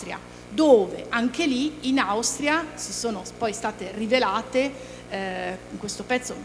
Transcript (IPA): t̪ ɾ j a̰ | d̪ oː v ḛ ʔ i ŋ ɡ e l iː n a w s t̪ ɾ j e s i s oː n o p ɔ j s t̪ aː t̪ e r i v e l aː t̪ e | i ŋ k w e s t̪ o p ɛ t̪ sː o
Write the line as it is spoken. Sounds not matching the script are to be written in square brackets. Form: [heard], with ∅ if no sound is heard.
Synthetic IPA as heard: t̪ ɾ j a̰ | d̪ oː v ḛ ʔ [a] ŋ [k] e l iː n a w s t̪ ɾ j [a] s i s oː n o p ɔ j s t̪ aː t̪ e r i v e l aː t̪ e | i ŋ k w e s t̪ o p ɛ t̪ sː o